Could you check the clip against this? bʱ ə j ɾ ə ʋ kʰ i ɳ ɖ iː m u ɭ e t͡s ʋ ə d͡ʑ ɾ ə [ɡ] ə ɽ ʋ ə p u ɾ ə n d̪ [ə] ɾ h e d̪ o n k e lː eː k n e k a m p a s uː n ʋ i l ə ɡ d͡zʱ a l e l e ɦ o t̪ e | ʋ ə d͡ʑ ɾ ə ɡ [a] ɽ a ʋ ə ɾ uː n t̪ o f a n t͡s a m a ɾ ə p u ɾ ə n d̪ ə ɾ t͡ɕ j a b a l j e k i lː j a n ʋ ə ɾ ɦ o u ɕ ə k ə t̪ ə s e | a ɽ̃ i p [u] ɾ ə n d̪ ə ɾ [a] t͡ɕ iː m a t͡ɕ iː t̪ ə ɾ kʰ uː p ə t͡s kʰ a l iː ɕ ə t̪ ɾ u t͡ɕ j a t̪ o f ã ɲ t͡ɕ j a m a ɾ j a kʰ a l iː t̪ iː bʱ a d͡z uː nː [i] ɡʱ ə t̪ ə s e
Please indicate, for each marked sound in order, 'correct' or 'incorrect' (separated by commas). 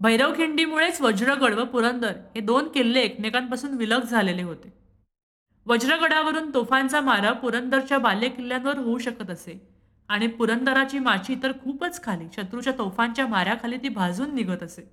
correct, correct, incorrect, correct, correct, correct